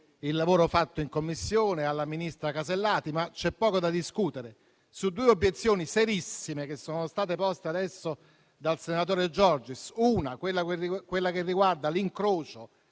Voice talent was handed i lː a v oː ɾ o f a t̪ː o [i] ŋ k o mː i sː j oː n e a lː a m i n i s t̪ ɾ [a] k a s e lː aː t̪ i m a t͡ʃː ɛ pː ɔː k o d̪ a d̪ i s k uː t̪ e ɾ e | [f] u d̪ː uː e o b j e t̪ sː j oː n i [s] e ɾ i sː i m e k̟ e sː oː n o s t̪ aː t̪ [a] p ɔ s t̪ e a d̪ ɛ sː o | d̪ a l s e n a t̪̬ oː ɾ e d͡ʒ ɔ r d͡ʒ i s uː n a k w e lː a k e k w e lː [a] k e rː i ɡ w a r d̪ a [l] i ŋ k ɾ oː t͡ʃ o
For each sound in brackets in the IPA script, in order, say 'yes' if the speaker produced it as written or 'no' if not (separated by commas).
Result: yes, yes, no, yes, no, yes, yes